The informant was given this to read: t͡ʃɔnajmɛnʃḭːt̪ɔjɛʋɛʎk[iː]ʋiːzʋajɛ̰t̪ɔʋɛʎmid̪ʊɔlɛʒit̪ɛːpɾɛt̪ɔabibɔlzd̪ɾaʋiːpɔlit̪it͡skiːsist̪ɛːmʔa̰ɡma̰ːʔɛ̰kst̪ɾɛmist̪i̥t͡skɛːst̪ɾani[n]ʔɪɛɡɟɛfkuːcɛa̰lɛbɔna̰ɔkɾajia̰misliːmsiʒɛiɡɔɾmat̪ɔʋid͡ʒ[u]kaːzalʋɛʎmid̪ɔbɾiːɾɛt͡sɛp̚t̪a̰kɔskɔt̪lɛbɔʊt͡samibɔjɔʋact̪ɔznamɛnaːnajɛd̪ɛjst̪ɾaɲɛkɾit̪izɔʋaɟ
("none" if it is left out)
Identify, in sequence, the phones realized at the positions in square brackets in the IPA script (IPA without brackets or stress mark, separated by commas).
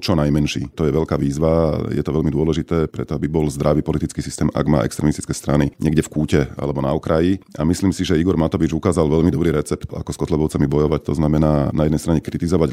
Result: aː, ɲ, u